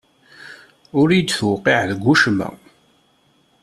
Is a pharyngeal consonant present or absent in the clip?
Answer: present